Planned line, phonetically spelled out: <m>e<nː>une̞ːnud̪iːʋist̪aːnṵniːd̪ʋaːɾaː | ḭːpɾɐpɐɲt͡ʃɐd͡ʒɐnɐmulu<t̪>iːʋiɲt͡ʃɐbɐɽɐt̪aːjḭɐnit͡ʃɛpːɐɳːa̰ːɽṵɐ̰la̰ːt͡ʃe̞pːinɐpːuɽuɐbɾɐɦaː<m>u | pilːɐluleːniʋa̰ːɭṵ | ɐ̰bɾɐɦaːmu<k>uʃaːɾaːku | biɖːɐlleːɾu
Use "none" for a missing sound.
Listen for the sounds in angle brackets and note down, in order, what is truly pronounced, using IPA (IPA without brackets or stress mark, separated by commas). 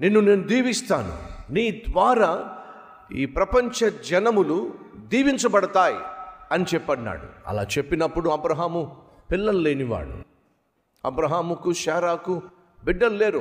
n, nː, d̪, m, k